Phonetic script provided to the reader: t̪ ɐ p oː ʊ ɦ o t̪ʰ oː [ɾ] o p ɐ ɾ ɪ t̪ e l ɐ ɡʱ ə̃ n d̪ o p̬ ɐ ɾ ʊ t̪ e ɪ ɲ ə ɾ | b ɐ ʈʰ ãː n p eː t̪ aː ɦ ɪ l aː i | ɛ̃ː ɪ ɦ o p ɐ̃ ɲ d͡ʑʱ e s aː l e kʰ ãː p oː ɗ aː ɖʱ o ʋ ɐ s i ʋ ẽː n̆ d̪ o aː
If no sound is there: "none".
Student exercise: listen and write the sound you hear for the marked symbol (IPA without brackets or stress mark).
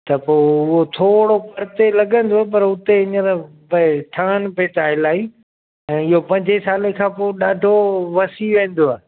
ɽ